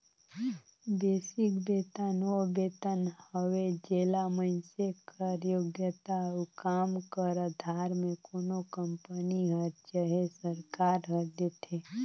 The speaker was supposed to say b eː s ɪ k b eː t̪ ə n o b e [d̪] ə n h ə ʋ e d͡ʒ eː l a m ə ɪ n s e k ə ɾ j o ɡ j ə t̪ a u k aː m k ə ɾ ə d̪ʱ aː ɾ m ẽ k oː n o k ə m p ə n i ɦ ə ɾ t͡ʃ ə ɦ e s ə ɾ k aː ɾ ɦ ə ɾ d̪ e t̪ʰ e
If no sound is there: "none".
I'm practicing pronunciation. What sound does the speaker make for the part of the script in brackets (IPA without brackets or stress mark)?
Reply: t̪